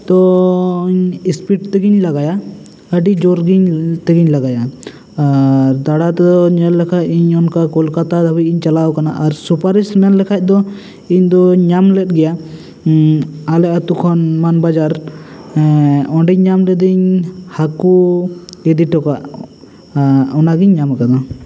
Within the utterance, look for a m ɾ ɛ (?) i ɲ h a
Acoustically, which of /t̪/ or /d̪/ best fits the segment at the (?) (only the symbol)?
d̪